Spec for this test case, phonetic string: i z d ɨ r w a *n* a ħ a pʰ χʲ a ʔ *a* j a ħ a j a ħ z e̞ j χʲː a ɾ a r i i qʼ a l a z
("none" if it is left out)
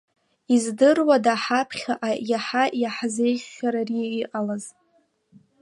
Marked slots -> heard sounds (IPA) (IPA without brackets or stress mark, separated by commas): d, a